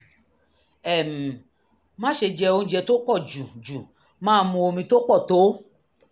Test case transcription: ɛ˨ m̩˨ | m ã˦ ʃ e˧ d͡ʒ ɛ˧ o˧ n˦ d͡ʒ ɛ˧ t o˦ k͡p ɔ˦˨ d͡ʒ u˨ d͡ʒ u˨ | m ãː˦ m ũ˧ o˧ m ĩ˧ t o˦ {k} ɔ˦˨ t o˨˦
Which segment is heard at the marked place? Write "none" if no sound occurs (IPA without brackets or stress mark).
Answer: k͡p